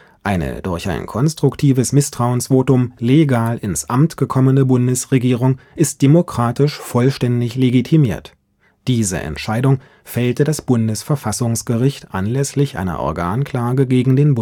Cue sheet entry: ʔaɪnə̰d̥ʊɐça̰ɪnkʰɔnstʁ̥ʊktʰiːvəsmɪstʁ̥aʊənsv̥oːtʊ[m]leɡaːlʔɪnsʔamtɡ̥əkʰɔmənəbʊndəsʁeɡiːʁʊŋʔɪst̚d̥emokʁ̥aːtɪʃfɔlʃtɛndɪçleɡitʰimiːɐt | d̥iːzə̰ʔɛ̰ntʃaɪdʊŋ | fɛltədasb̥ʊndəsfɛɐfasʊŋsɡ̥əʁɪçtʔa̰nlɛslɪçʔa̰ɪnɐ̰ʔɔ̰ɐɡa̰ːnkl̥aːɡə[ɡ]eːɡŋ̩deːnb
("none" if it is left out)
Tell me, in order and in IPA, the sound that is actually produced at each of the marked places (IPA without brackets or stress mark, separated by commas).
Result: m, ɡ